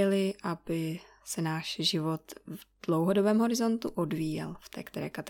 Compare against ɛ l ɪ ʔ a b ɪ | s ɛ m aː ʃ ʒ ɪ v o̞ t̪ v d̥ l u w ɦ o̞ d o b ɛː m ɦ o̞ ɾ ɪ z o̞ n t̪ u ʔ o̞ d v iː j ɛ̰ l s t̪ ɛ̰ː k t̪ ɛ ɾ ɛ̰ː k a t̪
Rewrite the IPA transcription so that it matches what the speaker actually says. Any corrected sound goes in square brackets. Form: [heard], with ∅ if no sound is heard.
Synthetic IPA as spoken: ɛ l ɪ ʔ a b ɪ | s ɛ [n] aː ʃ ʒ ɪ v o̞ t̪ v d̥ l [o] w ɦ o̞ d o b ɛː m ɦ o̞ ɾ ɪ z o̞ n t̪ u ʔ o̞ d v iː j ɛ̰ l [f] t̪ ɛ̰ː k t̪ ɛ ɾ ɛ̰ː k a t̪